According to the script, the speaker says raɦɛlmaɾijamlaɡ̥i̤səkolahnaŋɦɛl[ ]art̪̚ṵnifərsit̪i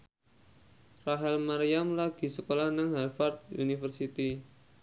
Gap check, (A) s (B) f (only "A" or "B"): B